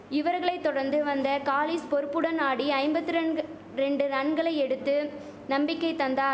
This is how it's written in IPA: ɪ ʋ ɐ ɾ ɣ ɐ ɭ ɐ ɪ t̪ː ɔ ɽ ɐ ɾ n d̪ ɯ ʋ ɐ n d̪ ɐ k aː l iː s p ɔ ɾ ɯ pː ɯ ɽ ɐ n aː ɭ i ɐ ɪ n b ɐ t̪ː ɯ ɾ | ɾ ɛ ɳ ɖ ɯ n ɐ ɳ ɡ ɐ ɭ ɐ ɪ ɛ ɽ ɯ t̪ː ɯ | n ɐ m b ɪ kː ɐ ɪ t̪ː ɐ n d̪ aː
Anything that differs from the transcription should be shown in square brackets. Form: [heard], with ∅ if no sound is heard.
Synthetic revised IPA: ɪ ʋ ɐ ɾ ɣ ɐ ɭ ɐ ɪ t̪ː ɔ ɽ ɐ ɾ n d̪ ɯ ʋ ɐ n d̪ ɐ k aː l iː s p ɔ ɾ ɯ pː ɯ ɽ ɐ n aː [ɽ] i ɐ ɪ [m] b ɐ t̪ː ɯ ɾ | ɾ ɛ ɳ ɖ ɯ n ɐ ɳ ɡ ɐ ɭ ɐ ɪ ɛ ɽ ɯ t̪ː ɯ | n ɐ m b ɪ kː ɐ ɪ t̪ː ɐ n d̪ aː